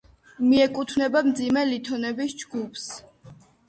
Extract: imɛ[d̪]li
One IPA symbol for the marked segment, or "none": none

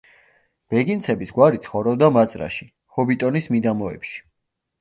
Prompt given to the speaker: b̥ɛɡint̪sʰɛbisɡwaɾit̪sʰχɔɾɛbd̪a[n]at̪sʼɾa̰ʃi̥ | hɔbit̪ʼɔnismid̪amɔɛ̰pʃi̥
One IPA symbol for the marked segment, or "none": m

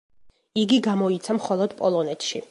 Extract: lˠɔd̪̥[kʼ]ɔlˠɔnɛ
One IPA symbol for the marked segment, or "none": pʼ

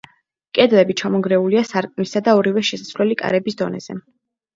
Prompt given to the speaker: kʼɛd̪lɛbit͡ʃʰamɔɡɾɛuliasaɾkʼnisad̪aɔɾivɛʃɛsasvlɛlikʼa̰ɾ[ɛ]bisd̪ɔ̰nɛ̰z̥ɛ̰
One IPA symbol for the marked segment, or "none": ɛ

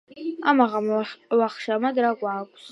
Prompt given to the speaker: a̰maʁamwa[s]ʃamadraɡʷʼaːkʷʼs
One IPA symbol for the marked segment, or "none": χ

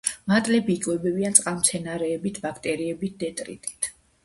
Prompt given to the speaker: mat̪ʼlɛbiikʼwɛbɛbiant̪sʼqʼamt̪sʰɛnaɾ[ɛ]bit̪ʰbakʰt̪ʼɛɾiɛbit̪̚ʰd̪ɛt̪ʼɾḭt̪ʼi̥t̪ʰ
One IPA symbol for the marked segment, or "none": ɛː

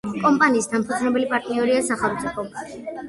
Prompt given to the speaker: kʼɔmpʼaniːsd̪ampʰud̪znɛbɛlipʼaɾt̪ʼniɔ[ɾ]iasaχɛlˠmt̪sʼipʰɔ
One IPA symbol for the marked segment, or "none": ɾ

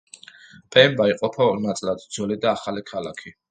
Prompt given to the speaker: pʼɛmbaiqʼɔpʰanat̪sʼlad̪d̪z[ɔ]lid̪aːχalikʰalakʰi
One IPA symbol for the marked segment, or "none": ɔ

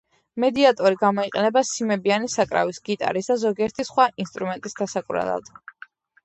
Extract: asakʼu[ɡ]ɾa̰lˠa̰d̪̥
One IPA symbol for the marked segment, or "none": none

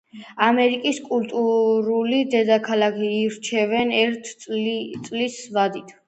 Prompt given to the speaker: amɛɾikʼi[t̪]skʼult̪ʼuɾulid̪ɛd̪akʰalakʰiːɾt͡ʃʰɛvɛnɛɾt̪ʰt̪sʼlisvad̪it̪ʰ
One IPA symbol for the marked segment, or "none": none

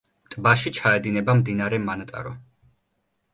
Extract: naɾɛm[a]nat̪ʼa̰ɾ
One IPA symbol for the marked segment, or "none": a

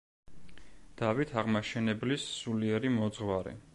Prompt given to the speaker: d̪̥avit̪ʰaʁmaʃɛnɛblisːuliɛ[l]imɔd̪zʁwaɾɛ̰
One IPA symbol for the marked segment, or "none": ɾ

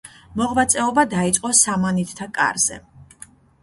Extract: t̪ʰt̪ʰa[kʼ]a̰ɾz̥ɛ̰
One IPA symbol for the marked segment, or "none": kʼ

